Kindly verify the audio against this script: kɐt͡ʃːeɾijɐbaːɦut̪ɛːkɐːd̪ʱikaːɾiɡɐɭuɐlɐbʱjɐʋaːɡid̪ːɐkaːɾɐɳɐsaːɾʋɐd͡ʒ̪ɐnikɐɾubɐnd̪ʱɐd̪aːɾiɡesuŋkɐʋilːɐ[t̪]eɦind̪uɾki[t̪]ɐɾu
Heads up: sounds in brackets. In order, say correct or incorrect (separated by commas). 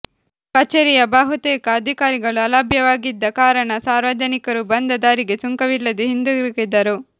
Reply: incorrect, incorrect